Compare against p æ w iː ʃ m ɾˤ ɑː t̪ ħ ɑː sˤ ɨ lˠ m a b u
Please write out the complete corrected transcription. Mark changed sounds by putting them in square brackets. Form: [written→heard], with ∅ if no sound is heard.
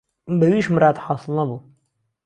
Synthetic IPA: [p→b] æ w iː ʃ m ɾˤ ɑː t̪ ħ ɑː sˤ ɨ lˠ [m→n] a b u

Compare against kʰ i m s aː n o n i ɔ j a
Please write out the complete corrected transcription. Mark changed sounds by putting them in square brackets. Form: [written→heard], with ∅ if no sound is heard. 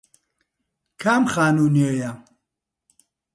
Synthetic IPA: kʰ [i→a] m [s→χ] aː n [o→u] n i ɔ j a

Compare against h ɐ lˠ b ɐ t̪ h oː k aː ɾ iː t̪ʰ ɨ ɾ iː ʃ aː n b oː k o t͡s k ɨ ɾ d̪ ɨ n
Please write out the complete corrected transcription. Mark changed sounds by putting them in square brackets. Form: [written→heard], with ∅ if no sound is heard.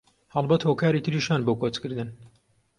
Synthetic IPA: h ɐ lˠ b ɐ t̪ h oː k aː ɾ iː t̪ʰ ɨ ɾ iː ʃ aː n b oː k o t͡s k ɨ ɾ d̪ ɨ n

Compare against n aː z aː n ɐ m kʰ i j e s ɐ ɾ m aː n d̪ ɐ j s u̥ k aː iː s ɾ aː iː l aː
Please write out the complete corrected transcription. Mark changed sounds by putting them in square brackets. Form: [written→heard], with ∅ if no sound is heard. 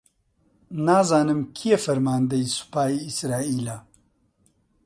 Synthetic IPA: n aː z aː n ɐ m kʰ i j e [s→f] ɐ ɾ m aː n d̪ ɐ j s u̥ [k→p] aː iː s ɾ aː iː l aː

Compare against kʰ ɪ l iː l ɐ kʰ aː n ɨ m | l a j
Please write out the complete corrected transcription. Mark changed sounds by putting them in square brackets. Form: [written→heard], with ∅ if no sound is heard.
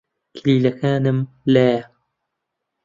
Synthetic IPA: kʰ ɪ l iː l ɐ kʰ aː n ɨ m | l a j

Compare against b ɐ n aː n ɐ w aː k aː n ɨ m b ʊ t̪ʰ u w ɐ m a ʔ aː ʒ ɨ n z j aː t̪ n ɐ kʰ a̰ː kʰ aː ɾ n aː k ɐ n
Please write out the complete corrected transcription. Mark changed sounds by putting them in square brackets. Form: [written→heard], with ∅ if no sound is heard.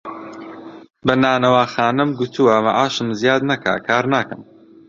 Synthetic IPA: b ɐ n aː n ɐ w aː [k→x] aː n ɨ m [b→ɡ] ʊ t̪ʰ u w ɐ m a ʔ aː [ʒ→ʃ] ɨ [n→m] z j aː [t̪→d̪] n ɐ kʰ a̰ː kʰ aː ɾ n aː k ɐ [n→m]

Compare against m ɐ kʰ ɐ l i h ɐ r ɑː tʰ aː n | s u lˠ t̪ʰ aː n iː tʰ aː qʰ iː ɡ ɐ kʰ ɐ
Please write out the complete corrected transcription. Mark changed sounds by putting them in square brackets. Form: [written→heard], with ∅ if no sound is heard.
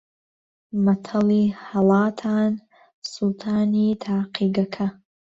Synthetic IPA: m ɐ [kʰ→tʰ] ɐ l i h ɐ [r→l] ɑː tʰ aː n | s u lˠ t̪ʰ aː n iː tʰ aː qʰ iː ɡ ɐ kʰ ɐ

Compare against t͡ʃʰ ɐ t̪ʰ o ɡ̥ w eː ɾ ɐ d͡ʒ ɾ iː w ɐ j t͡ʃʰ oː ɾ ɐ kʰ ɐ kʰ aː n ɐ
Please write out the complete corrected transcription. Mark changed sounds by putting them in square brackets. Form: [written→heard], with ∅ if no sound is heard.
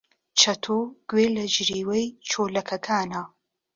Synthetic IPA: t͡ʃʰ ɐ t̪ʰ o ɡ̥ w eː [ɾ→l] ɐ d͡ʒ ɾ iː w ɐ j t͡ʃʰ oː [ɾ→l] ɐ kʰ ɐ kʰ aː n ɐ

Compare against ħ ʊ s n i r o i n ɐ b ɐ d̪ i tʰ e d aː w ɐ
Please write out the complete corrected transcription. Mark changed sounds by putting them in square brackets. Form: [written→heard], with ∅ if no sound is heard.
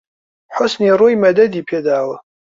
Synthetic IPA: ħ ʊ s n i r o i [n→m] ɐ [b→d] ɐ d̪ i [tʰ→pʰ] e d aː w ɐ

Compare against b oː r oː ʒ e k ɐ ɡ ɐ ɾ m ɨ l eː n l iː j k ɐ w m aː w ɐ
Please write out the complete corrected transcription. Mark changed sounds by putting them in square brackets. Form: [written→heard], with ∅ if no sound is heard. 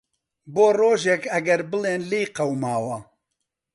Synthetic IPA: b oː r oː ʒ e k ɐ ɡ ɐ ɾ [m→b] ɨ l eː n l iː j [k→q] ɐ w m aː w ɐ

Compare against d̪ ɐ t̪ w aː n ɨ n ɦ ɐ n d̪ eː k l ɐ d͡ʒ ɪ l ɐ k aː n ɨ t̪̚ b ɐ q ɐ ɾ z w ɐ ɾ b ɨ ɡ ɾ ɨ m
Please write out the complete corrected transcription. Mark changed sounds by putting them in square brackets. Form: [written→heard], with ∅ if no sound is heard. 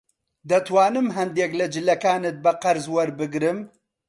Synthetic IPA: d̪ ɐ t̪ w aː n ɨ [n→m] ɦ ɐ n d̪ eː k l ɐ d͡ʒ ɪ l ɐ k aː n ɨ t̪̚ b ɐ q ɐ ɾ z w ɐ ɾ b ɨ ɡ ɾ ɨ m

